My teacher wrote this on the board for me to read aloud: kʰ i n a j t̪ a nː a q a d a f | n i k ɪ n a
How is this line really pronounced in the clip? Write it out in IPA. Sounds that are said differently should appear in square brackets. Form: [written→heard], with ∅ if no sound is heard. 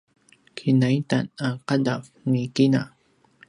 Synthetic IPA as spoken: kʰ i n a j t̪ a [nː→n] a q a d a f | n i k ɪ n a